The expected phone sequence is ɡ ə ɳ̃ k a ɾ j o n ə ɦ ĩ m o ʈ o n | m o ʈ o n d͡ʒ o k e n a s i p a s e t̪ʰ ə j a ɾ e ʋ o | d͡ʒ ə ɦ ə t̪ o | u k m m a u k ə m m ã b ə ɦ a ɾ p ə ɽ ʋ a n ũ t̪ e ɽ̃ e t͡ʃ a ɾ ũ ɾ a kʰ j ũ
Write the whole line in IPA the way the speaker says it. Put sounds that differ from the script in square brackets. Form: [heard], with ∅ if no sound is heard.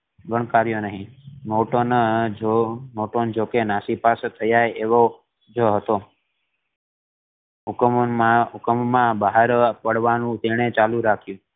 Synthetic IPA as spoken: ɡ ə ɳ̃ k a ɾ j o n ə ɦ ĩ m o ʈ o n | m o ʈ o n d͡ʒ o k e n a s i p a s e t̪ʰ ə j a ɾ e ʋ o | d͡ʒ ə ɦ ə t̪ o | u k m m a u k ə m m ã b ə ɦ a ɾ p ə ɽ ʋ a n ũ t̪ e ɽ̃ e t͡ʃ a [l] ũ ɾ a kʰ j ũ